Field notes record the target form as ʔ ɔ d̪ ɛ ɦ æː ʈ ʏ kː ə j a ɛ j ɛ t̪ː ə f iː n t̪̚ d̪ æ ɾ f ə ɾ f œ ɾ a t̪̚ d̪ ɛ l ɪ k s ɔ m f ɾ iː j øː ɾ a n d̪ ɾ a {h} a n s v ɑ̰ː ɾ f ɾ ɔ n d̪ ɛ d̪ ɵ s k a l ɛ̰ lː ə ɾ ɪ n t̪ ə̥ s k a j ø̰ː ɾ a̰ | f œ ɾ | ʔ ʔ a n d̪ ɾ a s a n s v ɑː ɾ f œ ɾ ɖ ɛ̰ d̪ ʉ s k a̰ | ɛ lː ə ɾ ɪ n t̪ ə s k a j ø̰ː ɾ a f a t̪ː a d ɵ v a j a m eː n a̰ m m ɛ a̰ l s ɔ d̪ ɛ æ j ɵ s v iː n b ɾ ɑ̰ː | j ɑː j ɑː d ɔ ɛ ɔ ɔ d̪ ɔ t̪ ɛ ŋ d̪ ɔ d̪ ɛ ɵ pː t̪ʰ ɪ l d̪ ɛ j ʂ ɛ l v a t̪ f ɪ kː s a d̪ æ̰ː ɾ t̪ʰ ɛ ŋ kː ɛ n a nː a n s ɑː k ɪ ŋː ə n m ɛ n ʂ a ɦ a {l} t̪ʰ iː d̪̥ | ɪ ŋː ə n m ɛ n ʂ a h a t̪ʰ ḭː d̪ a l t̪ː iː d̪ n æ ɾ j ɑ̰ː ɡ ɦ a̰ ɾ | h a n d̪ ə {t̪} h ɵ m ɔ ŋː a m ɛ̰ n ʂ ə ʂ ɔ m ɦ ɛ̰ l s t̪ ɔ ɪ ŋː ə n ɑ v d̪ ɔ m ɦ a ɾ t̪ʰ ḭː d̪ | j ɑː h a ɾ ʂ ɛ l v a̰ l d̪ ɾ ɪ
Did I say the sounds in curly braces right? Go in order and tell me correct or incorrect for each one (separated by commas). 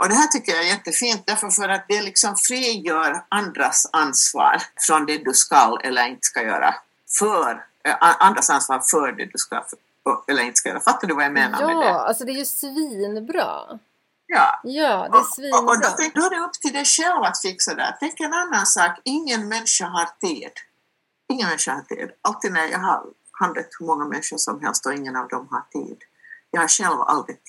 incorrect, incorrect, correct